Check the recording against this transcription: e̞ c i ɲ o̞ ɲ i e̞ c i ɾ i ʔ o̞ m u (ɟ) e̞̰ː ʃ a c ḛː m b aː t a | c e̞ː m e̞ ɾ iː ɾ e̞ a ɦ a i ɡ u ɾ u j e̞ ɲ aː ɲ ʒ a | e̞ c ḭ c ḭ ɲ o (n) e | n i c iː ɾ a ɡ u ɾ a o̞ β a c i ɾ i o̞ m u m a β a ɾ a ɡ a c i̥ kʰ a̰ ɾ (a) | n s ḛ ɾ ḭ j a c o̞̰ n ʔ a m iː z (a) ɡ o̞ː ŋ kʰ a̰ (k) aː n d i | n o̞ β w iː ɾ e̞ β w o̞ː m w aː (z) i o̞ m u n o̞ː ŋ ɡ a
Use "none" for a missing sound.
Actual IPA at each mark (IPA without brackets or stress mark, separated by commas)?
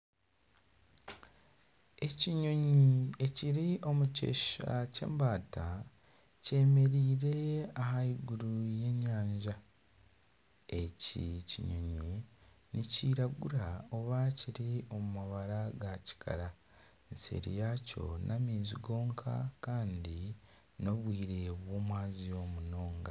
c, ɲ, a, i, k, z